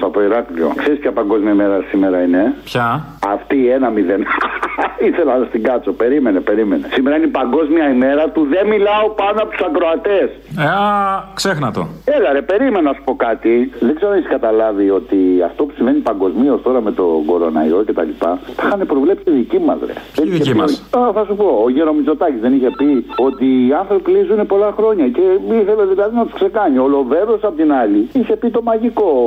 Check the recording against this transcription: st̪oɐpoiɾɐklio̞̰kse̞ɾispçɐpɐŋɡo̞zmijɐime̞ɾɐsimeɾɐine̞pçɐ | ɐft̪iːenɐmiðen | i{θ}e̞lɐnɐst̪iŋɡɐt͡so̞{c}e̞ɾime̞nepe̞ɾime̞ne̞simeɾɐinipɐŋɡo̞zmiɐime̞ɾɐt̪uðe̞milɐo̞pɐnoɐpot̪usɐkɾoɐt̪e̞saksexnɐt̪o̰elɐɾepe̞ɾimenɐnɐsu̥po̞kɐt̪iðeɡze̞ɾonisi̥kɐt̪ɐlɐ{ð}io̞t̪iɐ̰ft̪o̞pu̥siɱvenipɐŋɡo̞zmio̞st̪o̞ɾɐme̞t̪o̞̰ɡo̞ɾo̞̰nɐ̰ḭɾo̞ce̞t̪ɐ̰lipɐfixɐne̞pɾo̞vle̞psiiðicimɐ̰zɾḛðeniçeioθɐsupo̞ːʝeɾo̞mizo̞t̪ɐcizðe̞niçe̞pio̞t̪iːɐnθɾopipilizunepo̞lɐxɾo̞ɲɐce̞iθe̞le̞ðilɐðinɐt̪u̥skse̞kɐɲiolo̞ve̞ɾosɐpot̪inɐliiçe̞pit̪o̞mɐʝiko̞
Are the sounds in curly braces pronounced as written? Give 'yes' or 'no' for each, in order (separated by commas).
yes, no, no